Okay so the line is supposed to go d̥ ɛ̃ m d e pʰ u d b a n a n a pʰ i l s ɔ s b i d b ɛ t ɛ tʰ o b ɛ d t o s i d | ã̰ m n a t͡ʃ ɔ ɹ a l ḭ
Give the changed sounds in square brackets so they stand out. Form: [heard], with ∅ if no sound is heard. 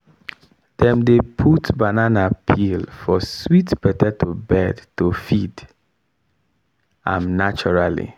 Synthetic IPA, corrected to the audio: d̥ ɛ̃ m d e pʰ u [t] b a n a n a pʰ i l [f] ɔ s [w] i [t] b ɛ t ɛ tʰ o b ɛ d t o [f] i d | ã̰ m n a t͡ʃ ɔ ɹ a l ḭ